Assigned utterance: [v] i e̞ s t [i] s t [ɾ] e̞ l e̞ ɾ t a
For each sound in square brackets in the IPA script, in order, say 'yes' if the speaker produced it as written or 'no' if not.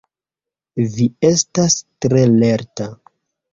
yes, no, yes

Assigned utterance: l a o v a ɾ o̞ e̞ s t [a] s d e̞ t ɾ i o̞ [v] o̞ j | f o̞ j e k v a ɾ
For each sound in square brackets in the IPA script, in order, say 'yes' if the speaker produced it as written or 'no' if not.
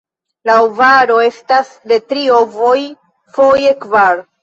yes, yes

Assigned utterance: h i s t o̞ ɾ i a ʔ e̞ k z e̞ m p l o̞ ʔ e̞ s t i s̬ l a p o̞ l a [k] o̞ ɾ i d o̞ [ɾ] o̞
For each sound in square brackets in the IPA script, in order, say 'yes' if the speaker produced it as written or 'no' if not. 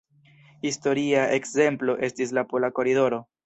yes, yes

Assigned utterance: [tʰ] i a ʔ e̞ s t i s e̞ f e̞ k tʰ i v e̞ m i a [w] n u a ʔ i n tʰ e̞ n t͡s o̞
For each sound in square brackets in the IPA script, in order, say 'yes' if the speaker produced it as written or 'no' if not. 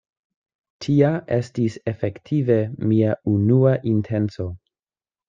yes, no

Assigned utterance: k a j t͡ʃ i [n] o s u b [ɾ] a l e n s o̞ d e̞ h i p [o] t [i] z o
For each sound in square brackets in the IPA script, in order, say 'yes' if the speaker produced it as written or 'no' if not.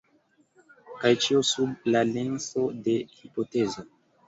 no, no, yes, no

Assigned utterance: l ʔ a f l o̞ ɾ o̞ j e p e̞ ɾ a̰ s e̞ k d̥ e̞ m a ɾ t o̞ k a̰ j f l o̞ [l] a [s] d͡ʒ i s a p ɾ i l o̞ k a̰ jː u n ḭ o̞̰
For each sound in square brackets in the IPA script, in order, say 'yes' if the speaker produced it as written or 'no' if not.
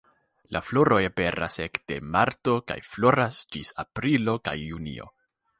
no, yes

